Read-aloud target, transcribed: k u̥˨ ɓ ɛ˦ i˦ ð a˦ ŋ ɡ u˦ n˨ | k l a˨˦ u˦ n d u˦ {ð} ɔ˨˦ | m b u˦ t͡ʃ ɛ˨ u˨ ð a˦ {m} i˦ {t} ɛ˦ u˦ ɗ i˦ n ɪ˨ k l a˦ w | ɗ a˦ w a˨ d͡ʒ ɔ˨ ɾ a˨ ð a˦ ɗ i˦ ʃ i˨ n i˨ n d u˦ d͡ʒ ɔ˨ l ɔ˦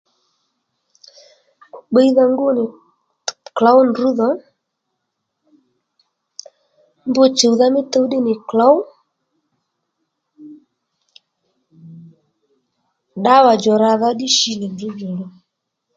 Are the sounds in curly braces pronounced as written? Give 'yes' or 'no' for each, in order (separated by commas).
yes, yes, yes